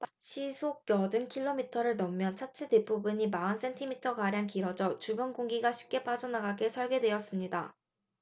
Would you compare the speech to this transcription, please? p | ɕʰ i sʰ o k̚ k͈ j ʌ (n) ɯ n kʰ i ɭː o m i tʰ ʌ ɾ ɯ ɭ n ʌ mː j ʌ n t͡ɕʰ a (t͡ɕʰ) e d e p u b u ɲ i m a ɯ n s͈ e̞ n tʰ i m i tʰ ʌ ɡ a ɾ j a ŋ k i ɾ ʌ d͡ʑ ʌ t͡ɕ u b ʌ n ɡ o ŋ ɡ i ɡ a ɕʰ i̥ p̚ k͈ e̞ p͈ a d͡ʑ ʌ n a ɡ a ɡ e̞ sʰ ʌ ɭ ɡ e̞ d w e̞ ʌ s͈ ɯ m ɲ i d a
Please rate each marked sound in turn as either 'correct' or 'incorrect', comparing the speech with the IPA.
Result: incorrect: d, correct

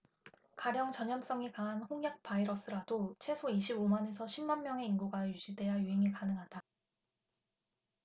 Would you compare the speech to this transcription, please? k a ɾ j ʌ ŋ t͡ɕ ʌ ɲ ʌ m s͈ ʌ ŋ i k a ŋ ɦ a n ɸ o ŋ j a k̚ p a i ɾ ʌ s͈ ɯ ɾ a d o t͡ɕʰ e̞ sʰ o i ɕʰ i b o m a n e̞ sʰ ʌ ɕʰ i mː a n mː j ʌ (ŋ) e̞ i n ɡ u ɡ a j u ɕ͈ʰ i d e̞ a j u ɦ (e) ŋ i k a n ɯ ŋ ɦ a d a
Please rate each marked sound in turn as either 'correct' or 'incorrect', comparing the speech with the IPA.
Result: correct, correct

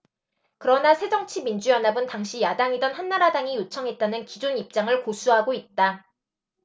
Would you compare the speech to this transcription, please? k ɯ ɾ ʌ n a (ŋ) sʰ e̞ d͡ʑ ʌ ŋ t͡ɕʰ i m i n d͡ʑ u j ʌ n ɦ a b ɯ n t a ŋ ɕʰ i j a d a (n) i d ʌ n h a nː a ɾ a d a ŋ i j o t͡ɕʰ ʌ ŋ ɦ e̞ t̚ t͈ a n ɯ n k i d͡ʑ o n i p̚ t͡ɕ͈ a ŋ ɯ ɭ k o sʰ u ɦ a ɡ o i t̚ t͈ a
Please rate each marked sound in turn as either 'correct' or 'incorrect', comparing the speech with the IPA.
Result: incorrect: none, incorrect: ŋ

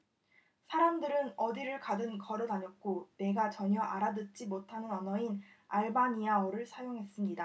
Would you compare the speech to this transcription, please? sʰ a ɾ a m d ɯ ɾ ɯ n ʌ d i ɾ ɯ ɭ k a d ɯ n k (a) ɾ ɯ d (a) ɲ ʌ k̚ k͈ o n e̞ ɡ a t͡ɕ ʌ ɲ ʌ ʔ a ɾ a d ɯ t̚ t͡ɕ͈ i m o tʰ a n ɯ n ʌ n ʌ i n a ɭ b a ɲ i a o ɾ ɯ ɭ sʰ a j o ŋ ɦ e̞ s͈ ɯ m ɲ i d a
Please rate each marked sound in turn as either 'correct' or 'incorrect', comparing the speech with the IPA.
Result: incorrect: ʌ, correct

